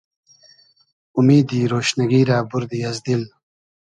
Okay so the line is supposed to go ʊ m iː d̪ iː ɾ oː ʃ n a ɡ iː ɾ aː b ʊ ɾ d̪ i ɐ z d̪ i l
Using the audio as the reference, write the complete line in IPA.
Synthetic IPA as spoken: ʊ m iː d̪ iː ɾ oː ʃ n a ɡ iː ɾ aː b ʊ ɾ d̪ i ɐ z d̪ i l